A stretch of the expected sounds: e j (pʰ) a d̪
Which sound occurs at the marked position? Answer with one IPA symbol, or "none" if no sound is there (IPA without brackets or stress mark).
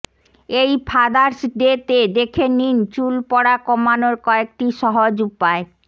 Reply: pʰ